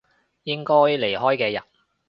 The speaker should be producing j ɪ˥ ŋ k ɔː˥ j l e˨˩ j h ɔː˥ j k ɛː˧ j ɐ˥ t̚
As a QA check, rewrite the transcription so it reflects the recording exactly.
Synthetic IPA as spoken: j ɪ˥ ŋ k ɔː˥ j l e˨˩ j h ɔː˥ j k ɛː˧ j ɐ˨ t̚